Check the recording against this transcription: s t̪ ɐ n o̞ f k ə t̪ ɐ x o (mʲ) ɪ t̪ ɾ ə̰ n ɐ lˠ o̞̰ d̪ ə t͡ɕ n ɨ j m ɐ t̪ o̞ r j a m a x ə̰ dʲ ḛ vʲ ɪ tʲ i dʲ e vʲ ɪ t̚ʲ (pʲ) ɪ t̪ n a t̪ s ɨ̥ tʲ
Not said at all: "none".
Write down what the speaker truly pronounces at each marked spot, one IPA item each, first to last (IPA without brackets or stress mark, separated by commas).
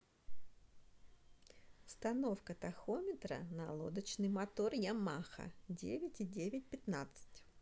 mʲ, pʲ